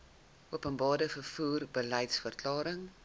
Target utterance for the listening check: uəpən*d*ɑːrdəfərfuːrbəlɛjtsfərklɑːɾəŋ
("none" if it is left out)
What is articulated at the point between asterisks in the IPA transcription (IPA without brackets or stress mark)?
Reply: b